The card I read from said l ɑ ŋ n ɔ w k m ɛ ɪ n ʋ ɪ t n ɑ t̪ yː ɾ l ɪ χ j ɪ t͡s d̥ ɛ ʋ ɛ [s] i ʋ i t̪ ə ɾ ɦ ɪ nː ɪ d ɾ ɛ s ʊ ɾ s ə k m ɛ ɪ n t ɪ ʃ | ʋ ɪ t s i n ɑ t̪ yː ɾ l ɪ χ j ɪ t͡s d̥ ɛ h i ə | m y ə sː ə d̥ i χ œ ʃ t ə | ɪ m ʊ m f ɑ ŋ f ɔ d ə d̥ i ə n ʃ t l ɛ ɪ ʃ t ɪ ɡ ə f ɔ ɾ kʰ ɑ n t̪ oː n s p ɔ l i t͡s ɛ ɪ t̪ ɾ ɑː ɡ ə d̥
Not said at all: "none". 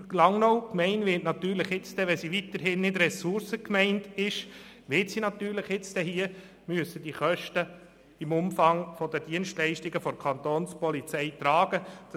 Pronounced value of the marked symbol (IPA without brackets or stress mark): s